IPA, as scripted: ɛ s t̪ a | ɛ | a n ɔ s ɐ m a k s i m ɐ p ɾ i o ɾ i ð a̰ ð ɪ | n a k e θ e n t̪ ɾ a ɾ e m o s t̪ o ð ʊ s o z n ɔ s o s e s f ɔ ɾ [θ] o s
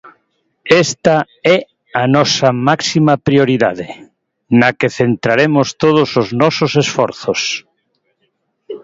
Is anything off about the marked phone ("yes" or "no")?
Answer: no